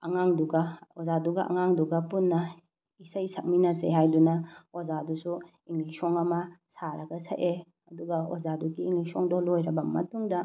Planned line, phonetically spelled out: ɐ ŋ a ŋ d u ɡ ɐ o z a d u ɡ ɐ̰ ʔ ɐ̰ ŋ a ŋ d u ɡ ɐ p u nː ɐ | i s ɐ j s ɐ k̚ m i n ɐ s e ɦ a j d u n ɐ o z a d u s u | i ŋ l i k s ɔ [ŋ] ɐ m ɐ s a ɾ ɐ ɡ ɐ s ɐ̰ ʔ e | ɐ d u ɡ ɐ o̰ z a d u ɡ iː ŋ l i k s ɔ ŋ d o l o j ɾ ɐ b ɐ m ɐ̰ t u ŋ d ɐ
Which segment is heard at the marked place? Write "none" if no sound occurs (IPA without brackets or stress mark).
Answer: ŋ